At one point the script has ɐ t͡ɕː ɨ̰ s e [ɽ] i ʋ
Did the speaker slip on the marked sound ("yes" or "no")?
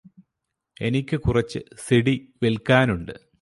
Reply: no